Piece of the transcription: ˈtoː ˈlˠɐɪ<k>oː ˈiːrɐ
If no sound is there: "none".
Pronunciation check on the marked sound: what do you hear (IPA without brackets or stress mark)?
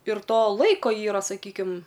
k